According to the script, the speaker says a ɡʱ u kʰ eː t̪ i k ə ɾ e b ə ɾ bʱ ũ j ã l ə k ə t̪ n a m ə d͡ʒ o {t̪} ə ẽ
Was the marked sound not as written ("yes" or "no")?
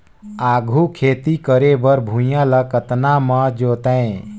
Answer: no